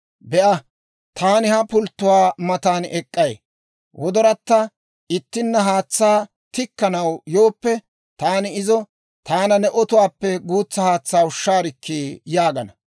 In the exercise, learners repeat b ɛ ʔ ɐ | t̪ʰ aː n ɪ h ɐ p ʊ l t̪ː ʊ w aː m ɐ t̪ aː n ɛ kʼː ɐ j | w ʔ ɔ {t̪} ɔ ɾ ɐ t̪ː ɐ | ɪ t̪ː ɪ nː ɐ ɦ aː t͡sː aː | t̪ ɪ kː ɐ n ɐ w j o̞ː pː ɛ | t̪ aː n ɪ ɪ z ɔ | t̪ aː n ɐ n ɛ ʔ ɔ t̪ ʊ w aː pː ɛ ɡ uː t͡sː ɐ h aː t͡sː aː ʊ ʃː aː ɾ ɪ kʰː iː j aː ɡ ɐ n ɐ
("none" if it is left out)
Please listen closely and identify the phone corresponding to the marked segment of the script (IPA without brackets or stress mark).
d̪